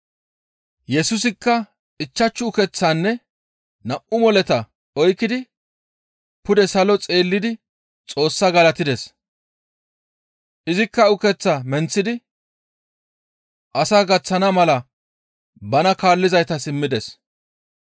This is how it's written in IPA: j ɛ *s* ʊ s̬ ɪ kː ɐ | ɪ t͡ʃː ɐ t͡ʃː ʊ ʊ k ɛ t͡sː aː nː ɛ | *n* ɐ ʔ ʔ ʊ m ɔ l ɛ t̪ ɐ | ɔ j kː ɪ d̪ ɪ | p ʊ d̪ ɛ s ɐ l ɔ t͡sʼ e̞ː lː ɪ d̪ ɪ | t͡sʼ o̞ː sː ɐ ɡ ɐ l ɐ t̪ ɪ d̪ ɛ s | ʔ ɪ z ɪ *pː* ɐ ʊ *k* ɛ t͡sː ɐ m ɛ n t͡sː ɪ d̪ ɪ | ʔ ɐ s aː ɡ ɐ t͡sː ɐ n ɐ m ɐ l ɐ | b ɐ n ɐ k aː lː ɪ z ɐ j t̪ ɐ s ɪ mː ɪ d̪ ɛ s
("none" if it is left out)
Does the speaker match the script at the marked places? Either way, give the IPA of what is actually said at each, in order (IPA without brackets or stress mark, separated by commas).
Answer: s, n, kː, k